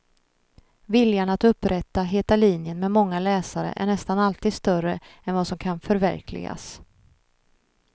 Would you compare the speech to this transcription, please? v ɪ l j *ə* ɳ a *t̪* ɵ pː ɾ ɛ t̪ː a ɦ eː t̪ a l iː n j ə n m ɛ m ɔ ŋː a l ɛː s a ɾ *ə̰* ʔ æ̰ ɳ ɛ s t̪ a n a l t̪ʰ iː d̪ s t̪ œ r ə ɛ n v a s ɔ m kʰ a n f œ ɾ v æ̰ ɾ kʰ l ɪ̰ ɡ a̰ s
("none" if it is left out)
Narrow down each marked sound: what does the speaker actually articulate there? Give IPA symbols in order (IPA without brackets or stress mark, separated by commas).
a, t̪, ə̰